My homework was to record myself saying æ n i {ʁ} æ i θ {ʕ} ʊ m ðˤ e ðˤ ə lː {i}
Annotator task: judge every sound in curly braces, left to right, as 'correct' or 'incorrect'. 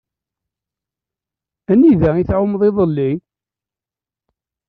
incorrect, correct, correct

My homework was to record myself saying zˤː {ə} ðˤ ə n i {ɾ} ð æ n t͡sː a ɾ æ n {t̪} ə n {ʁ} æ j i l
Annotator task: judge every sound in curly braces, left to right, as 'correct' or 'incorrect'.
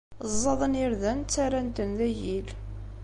incorrect, correct, correct, incorrect

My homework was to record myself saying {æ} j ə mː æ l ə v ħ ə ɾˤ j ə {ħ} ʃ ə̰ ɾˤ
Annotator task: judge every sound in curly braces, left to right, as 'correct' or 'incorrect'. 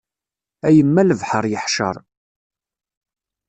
correct, correct

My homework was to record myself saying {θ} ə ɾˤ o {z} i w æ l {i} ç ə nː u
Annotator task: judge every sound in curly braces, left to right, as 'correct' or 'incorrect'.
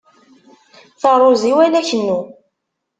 correct, correct, incorrect

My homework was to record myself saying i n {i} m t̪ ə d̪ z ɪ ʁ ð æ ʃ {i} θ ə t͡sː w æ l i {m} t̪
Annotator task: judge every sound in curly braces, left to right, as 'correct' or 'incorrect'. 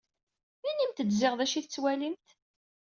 correct, correct, correct

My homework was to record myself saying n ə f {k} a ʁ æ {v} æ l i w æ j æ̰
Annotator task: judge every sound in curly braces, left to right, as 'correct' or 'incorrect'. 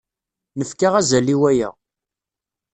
correct, incorrect

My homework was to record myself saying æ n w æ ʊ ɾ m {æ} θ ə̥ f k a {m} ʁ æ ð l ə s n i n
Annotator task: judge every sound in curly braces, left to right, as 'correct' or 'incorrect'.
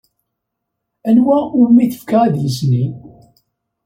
incorrect, incorrect

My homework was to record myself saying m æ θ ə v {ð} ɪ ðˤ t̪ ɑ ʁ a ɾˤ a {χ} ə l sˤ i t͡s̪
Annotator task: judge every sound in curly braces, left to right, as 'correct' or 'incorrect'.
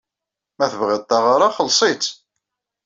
incorrect, correct

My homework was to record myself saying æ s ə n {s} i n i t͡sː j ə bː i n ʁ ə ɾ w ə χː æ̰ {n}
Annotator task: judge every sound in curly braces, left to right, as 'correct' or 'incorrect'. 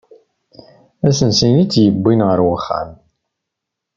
correct, incorrect

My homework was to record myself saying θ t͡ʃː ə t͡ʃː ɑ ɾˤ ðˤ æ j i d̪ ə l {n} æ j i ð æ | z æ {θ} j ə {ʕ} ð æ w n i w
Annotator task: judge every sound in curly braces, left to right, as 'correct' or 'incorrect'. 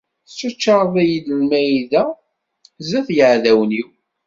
incorrect, correct, correct

